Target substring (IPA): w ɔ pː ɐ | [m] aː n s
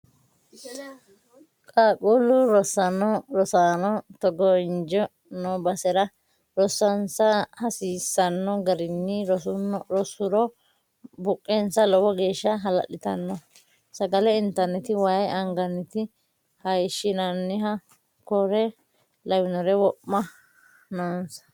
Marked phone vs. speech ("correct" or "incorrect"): incorrect